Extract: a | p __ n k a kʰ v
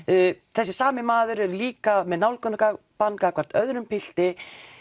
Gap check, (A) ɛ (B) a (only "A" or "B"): B